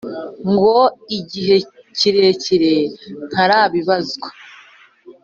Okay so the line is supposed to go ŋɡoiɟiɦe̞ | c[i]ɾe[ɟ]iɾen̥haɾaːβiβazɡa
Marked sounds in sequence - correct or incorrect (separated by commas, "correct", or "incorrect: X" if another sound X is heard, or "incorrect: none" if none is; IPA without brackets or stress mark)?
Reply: correct, incorrect: c